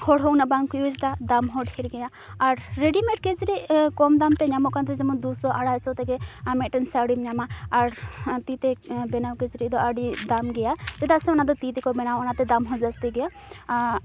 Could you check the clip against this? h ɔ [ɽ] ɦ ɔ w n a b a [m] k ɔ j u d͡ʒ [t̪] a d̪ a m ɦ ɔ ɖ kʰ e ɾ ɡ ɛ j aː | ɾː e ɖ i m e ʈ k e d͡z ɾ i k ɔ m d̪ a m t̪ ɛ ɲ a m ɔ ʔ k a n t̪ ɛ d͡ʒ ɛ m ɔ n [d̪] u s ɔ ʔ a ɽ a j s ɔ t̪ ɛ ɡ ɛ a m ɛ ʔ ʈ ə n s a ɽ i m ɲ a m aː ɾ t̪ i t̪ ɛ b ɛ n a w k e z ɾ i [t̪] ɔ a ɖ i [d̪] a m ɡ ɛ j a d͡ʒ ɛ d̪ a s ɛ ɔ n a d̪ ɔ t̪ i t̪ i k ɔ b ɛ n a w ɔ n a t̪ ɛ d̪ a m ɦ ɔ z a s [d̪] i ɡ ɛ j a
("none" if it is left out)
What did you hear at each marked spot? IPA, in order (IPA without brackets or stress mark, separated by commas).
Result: ɽ, ŋ, t̪, d̪, d̪, d̪, t̪